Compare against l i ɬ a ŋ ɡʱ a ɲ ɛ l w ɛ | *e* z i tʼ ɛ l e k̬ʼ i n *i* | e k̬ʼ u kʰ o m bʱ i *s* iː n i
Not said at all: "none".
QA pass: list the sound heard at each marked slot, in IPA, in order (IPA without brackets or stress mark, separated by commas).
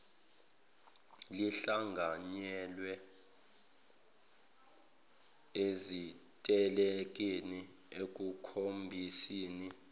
e, i, s